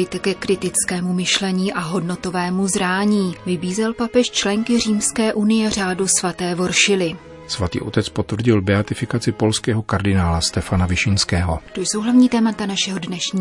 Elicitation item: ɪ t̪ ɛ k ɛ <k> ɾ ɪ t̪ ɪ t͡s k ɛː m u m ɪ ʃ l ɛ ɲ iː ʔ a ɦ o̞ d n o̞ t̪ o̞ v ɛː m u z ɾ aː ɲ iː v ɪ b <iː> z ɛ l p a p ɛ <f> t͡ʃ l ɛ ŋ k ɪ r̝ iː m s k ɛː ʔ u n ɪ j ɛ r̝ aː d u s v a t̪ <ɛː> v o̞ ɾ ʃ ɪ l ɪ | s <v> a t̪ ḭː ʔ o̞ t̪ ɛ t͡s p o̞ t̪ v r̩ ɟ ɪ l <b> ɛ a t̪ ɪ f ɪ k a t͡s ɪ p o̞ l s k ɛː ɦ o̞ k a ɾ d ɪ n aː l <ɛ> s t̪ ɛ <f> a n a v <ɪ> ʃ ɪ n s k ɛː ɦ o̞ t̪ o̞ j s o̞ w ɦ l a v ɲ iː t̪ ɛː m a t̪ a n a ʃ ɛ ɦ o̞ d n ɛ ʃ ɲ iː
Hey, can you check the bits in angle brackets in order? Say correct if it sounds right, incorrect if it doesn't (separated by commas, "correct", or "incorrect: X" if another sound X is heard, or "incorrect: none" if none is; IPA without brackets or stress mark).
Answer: correct, correct, incorrect: ʃ, correct, correct, correct, incorrect: a, correct, correct